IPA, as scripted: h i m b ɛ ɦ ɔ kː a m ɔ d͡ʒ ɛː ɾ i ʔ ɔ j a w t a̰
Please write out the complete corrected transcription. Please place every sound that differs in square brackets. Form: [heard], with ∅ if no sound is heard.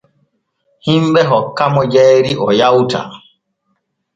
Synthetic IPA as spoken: h i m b ɛ ɦ ɔ kː a m ɔ d͡ʒ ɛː ɾ i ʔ ɔ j a w t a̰